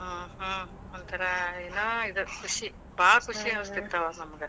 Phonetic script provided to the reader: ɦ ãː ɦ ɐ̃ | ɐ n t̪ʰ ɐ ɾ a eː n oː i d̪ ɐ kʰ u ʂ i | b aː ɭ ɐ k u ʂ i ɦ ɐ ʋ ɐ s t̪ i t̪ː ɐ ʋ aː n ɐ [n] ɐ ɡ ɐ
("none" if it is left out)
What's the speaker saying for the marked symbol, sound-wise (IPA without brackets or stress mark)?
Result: m